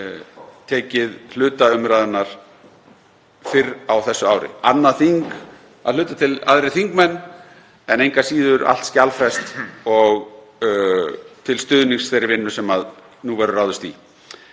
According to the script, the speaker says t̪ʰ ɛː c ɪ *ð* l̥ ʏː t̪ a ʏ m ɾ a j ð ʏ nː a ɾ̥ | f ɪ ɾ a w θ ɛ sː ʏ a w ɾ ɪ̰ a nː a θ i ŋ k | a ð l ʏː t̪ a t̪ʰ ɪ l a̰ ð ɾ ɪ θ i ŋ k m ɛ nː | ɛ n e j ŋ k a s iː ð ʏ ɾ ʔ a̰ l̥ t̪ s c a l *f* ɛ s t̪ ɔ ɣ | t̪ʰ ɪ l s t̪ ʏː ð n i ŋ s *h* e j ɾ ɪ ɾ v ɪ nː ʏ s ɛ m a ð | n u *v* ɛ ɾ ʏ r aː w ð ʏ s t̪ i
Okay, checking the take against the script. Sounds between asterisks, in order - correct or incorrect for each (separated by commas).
correct, correct, incorrect, correct